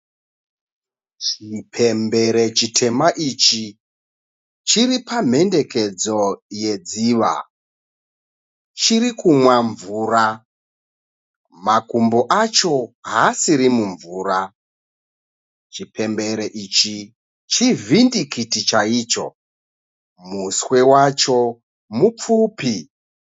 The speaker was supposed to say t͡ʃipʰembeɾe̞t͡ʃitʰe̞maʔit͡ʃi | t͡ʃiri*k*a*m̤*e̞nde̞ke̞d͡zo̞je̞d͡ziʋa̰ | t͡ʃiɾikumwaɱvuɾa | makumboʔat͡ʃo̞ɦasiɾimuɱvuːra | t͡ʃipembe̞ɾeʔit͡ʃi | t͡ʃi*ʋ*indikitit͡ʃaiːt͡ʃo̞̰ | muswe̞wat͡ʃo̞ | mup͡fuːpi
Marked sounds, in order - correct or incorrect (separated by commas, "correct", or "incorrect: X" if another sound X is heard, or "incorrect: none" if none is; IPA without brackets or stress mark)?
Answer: incorrect: p, correct, incorrect: v